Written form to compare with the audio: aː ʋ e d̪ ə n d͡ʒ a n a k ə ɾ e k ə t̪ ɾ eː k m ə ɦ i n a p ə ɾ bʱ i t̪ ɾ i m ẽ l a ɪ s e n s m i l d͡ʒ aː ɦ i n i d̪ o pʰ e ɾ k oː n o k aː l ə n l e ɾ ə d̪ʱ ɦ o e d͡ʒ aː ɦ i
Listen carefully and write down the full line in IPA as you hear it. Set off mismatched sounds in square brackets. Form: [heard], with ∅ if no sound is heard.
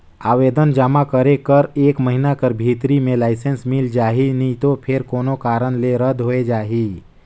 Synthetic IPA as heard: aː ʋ e d̪ ə n d͡ʒ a [m] a k ə ɾ e k ə [∅] ɾ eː k m ə ɦ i n a [k] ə ɾ bʱ i t̪ ɾ i m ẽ l a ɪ s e n s m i l d͡ʒ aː ɦ i n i [t̪] o pʰ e ɾ k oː n o k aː [ɾ] ə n l e ɾ ə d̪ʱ ɦ o e d͡ʒ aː ɦ i